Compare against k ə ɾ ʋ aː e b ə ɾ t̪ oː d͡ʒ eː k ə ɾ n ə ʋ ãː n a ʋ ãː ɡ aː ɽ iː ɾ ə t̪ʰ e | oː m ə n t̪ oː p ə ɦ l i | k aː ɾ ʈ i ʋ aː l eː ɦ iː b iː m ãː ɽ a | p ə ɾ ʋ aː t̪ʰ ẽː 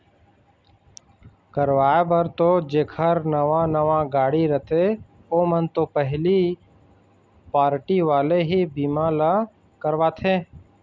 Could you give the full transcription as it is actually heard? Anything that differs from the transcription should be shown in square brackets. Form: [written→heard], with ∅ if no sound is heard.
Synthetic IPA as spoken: k ə ɾ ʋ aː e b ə ɾ t̪ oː d͡ʒ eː [k→kʰ] ə ɾ n ə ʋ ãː n [a→ə] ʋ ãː ɡ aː ɽ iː ɾ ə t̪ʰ e | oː m ə n t̪ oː p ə ɦ l i | [k→p] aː ɾ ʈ i ʋ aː l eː ɦ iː b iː m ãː [ɽ→l] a | [p→k] ə ɾ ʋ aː t̪ʰ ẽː